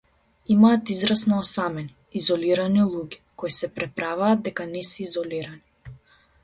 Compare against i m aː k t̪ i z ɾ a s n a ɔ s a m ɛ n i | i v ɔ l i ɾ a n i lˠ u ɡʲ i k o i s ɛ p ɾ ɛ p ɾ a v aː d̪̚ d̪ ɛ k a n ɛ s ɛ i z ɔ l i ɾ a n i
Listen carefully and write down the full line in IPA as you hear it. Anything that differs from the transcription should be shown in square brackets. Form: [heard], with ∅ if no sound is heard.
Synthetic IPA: i m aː [∅] t̪ i z ɾ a s n a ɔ s a m ɛ n i | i [z] ɔ l i ɾ a n i lˠ u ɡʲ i k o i s ɛ p ɾ ɛ p ɾ a v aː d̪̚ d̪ ɛ k a n ɛ s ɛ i z ɔ l i ɾ a n i